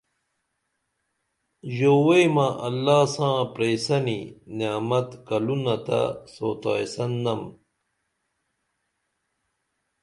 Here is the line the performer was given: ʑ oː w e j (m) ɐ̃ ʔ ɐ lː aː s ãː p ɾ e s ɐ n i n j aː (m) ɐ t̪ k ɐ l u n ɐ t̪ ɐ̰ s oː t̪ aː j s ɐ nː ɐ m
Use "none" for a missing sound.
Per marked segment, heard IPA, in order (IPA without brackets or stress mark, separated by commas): m, m